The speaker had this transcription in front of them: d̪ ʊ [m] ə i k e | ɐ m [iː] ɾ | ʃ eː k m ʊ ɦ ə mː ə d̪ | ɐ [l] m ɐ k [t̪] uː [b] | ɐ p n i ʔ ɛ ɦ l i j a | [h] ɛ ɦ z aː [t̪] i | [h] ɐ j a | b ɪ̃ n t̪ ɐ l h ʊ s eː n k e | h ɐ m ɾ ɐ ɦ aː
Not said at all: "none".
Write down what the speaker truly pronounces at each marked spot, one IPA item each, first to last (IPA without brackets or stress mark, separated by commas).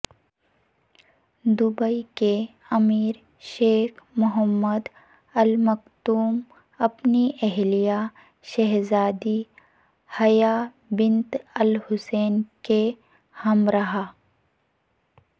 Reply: b, iː, l, t̪, m, ʃ, d̪, h